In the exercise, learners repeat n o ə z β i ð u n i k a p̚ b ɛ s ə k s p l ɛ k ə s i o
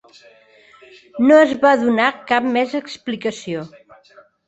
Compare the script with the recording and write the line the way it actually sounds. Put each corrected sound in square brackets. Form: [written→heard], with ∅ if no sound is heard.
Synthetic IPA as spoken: n o ə z β [i→a] ð u n [i→a] k a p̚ [b→m] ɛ [s→z] ə k s p l [ɛ→i] k ə s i o